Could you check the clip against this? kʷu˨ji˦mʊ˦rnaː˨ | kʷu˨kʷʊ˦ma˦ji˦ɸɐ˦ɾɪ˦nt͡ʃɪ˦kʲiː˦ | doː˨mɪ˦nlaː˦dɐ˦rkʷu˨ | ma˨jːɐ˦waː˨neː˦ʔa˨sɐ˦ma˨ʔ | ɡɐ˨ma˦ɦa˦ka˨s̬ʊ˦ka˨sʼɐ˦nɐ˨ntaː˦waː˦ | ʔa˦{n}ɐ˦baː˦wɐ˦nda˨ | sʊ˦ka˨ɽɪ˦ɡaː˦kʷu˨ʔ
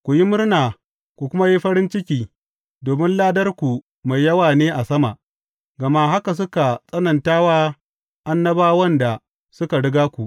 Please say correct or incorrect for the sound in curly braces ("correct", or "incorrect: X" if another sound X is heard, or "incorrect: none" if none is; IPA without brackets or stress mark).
incorrect: nː